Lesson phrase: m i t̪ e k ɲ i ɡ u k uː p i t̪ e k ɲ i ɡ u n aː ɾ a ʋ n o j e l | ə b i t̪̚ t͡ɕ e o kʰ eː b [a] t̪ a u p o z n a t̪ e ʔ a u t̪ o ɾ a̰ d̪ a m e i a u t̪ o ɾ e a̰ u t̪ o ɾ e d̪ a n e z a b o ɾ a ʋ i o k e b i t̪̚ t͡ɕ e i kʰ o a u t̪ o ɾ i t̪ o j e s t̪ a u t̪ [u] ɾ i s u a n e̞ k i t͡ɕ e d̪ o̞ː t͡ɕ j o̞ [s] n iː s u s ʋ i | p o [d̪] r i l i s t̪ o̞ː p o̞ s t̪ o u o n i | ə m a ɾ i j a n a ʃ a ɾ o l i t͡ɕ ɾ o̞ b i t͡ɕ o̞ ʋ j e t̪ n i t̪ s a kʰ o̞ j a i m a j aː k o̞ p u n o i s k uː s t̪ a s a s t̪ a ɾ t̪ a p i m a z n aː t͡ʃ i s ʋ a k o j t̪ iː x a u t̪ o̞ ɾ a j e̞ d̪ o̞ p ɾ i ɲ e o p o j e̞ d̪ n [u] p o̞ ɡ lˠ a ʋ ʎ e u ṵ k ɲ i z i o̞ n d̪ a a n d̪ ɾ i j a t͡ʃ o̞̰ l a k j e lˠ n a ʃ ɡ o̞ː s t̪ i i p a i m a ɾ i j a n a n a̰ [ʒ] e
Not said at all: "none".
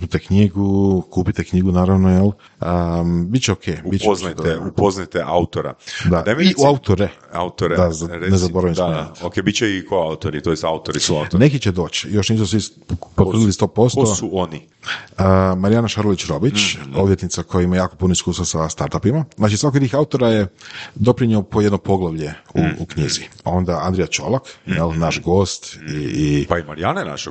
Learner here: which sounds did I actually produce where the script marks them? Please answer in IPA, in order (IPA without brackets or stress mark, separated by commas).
i, o, ʃ, t̪, o, ʃ